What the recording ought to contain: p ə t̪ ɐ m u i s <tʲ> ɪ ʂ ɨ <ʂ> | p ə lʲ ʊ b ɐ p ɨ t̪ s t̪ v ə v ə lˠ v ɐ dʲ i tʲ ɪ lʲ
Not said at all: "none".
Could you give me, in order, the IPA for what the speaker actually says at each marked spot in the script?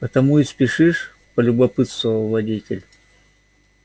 pʲ, ʂ

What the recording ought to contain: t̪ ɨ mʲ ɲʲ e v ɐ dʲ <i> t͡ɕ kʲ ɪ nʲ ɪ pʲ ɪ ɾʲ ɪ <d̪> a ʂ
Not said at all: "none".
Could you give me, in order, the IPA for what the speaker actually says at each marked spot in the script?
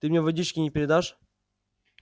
i, d̪

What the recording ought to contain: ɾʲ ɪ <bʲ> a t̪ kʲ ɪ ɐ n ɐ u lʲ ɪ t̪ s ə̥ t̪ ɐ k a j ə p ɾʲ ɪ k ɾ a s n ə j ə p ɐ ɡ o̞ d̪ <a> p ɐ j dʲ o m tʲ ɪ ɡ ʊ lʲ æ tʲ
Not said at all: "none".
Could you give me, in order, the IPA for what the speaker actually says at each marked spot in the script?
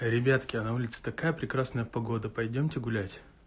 bʲ, ə

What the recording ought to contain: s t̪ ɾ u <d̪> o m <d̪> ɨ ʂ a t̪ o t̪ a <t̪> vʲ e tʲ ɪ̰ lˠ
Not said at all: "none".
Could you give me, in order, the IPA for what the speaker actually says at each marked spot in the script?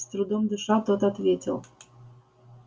d̪, d̪, t̪

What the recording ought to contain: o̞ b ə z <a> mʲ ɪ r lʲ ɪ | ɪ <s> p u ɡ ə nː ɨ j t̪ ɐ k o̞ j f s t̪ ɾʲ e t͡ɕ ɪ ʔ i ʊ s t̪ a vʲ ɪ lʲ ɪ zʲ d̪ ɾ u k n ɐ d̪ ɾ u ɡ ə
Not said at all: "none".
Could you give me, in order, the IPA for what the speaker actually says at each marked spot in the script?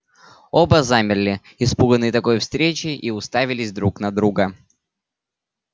a, s

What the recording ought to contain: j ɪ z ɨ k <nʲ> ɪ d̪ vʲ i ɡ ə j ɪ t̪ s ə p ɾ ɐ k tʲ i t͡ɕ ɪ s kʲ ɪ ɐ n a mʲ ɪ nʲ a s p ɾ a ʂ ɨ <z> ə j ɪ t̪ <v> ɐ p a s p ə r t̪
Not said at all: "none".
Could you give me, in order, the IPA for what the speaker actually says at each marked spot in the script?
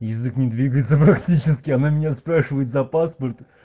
nʲ, v, z

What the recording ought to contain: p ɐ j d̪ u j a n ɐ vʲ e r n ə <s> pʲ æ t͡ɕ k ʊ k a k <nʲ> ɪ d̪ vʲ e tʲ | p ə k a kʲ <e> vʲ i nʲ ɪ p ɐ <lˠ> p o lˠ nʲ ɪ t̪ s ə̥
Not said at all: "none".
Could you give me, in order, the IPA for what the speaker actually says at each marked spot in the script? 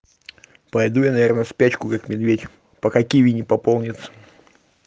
s, mʲ, i, none

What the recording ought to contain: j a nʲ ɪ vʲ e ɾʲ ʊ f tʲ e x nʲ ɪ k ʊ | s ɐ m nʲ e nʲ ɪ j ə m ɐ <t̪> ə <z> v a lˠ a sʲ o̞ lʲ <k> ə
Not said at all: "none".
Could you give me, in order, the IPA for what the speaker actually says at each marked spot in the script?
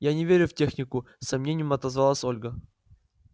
t̪, z, ɡ

